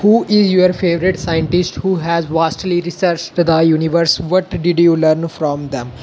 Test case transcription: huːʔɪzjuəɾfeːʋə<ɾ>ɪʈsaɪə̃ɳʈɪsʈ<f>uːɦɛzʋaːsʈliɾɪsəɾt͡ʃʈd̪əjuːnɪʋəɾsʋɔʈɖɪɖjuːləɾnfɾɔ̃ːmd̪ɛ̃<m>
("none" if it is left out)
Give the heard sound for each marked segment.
ɾ, h, m

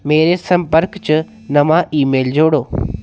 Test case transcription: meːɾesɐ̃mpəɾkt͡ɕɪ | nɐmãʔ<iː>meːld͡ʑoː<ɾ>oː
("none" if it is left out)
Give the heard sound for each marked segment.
iː, ɽ

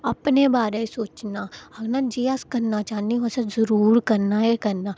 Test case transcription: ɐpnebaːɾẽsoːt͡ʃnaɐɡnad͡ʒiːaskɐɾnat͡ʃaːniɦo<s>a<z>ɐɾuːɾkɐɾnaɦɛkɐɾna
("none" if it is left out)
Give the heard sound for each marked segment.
s, z

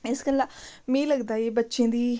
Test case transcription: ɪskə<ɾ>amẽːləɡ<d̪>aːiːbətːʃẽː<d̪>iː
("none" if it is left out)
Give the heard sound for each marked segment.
l, d̪, d̪

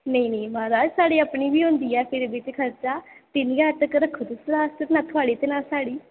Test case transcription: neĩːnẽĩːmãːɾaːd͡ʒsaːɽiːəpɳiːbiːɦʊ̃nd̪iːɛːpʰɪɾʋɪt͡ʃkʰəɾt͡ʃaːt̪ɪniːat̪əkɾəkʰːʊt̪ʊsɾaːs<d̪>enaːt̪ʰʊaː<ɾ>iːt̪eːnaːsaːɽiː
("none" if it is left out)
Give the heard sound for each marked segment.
t̪, ɽ

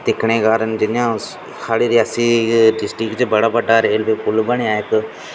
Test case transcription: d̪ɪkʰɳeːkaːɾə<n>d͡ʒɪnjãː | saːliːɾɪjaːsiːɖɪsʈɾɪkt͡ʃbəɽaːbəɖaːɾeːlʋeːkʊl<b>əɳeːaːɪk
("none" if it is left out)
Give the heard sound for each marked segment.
n, b

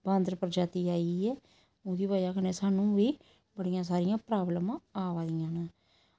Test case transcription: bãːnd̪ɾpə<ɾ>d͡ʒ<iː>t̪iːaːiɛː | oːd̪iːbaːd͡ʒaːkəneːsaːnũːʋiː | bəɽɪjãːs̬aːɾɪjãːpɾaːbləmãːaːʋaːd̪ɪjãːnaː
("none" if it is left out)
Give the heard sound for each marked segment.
ɾ, aː

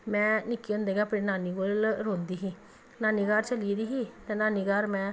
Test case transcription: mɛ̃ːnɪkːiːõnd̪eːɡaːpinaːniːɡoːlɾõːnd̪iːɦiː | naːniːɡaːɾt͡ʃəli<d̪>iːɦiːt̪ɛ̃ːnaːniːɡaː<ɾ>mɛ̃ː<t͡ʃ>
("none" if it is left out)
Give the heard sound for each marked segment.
d̪, ɾ, none

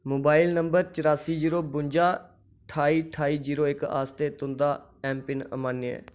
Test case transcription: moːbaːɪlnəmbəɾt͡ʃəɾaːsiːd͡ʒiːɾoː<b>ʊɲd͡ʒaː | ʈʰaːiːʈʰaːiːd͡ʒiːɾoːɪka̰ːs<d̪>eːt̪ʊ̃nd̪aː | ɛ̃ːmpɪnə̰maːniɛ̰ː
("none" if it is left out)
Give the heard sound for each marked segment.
b, t̪

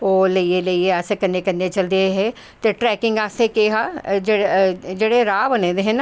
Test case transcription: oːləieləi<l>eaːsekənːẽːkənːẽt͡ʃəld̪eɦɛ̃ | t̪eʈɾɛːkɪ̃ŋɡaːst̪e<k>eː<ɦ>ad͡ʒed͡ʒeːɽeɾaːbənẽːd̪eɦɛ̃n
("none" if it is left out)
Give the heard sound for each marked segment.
none, k, ɦ

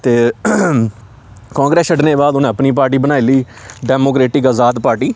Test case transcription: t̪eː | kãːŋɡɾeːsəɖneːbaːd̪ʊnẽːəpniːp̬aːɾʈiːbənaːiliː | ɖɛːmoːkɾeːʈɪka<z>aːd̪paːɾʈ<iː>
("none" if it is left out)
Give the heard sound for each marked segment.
z, iː

